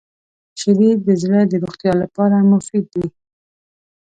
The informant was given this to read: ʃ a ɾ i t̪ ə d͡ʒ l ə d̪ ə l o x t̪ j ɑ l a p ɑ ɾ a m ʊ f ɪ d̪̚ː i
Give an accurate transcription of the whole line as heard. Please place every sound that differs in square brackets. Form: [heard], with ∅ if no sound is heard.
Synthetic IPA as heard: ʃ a ɾ i [d̪] ə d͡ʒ l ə d̪ ə [ɾ] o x t̪ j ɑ l a p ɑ ɾ a m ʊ f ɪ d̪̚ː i